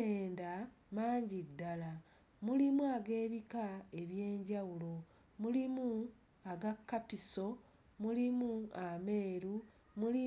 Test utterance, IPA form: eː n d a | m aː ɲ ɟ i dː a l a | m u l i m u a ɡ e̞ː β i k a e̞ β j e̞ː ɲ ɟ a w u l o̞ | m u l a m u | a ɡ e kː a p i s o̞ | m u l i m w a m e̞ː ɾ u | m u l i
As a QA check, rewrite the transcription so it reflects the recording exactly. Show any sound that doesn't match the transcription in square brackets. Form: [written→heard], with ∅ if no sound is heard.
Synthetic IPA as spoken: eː n d a | m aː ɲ ɟ i dː a l a | m u l i m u a ɡ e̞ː β i k a e̞ β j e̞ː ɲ ɟ a w u l o̞ | m u l [a→i] m u | a ɡ [e→a] kː a p i s o̞ | m u l i m [w→u] a m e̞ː ɾ u | m u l i